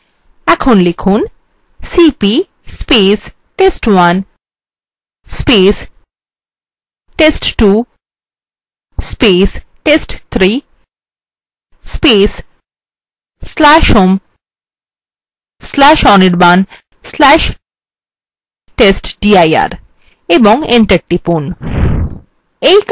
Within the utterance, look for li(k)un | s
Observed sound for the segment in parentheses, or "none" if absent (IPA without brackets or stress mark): kʰ